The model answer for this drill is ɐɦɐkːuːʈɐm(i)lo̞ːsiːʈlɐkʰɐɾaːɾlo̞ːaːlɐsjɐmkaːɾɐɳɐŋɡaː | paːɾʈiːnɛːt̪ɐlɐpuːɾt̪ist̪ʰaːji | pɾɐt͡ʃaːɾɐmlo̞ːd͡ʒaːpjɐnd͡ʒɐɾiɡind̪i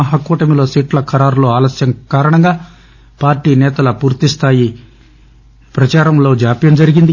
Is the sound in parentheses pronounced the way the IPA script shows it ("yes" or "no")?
yes